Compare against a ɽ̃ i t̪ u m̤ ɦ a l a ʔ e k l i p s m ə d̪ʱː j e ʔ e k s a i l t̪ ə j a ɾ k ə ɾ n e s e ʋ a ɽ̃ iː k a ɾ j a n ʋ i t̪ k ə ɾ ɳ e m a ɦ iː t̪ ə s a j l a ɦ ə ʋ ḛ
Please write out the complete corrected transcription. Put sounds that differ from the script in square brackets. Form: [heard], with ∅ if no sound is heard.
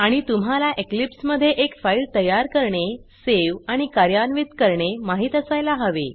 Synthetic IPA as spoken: a ɽ̃ i t̪ u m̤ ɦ a l a ʔ e k l i p s m ə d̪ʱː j e ʔ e k [f] a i l t̪ ə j a ɾ k ə ɾ [ɳ] e s e ʋ a ɽ̃ [i] k a ɾ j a n ʋ i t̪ k ə ɾ ɳ e m a ɦ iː t̪ ə s a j l a ɦ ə ʋ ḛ